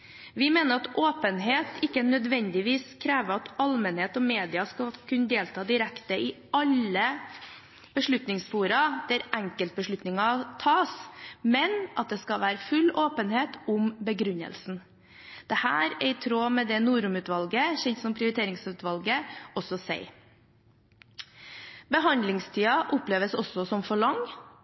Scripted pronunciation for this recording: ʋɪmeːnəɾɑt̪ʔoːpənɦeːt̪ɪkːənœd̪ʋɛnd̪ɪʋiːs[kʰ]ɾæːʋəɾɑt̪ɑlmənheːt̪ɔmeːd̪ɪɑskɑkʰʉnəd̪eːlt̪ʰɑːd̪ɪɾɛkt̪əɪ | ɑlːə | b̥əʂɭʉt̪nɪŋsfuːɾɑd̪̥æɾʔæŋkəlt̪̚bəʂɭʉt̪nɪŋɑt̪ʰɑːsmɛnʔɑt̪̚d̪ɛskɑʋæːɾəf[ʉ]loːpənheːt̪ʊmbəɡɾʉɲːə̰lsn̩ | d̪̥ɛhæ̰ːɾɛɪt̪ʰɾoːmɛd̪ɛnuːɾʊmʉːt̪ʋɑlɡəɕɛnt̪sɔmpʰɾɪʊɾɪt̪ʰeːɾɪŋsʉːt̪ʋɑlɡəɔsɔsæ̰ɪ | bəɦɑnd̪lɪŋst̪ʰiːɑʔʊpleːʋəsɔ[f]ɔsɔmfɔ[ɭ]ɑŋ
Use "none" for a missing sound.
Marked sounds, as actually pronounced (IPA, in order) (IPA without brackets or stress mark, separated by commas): kʰ, ʉ, s, ɭ